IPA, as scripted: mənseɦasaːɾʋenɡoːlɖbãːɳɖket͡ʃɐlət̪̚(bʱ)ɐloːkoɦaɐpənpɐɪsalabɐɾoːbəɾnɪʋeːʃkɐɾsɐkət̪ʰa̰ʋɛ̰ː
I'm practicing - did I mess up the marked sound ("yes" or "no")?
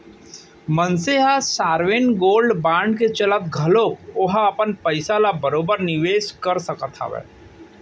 yes